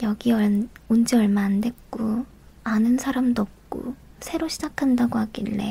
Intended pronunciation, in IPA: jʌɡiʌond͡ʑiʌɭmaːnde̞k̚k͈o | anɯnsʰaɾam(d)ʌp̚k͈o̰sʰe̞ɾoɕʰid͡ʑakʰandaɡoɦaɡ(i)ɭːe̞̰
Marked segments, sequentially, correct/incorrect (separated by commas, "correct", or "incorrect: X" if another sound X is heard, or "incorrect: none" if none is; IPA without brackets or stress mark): correct, correct